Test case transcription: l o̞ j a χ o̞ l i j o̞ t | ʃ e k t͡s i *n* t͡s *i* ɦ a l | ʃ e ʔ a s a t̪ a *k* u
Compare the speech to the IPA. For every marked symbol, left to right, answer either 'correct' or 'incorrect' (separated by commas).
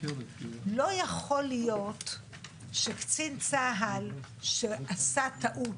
correct, incorrect, incorrect